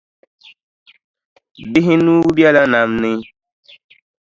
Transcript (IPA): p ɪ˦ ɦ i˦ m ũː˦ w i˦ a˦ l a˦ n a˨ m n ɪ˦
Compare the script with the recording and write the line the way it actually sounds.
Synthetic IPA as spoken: b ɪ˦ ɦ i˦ n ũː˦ b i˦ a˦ l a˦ n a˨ m n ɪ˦